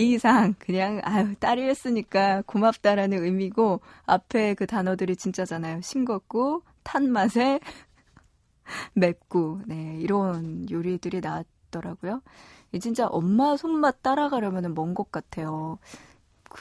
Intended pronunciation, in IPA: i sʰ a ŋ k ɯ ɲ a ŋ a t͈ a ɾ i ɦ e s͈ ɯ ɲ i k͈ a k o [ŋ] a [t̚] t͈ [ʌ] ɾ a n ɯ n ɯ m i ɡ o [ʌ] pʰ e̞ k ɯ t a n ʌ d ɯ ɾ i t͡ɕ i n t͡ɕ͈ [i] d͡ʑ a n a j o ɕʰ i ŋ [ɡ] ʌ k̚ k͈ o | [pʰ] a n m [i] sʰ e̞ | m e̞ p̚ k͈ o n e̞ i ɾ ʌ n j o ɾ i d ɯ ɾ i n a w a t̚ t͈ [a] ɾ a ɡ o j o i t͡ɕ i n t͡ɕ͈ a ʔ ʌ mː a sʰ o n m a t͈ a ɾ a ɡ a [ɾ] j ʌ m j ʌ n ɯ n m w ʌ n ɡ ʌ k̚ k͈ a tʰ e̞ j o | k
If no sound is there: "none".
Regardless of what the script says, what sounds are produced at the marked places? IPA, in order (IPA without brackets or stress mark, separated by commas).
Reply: m, p̚, a, a, a, ɡ, tʰ, a, ʌ, ɾ